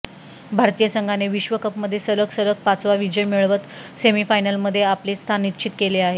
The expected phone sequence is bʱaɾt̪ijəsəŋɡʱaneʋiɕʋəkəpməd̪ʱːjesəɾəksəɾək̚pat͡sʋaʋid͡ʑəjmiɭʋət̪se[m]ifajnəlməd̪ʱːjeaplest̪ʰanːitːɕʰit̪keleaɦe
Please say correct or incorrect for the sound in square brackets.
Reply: correct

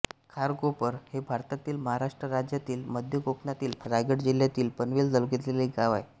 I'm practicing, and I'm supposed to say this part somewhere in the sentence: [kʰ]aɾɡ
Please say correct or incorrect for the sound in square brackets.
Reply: correct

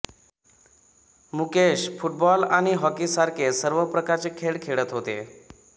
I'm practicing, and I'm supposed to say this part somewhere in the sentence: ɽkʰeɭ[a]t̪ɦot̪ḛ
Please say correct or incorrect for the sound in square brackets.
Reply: incorrect: ə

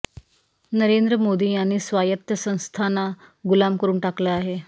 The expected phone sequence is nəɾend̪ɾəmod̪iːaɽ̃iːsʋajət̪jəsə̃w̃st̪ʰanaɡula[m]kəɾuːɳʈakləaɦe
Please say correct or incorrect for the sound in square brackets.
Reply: correct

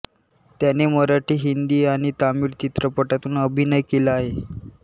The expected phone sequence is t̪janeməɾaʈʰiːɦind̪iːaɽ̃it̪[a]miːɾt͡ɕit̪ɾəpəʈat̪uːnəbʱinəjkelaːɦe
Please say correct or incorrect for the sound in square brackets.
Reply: correct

